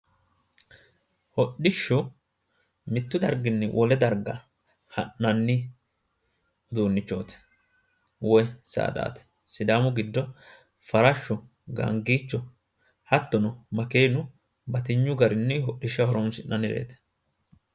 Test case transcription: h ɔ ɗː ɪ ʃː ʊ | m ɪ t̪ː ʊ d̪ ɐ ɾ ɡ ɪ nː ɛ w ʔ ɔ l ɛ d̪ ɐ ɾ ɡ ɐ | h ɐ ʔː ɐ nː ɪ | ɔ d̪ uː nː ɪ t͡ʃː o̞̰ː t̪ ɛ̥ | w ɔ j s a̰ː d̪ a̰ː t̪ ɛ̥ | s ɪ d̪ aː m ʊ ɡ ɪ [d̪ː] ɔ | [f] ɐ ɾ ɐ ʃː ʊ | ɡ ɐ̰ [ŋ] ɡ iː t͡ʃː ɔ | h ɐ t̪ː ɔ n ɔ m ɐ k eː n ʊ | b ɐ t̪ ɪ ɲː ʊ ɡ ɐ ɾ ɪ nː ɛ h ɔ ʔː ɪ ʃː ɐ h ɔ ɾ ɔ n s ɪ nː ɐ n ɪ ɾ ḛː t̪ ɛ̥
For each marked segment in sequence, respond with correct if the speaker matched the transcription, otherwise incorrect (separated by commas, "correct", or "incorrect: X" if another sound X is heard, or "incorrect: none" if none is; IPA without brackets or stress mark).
correct, correct, correct